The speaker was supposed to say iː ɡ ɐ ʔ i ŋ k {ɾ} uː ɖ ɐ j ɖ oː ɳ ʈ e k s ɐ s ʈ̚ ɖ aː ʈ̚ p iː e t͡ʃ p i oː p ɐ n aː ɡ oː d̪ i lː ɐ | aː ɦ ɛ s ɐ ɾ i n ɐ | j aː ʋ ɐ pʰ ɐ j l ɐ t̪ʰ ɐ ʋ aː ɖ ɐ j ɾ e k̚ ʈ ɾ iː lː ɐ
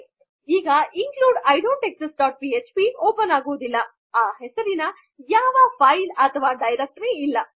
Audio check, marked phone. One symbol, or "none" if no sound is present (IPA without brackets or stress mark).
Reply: l